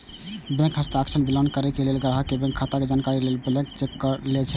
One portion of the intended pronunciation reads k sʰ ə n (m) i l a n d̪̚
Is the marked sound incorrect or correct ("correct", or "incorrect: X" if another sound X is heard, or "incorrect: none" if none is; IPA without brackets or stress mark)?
incorrect: b